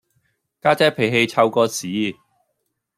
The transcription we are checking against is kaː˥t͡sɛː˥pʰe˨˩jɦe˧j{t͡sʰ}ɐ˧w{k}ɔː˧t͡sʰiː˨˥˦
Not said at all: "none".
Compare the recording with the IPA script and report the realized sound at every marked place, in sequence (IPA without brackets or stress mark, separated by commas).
t͡sʰ, k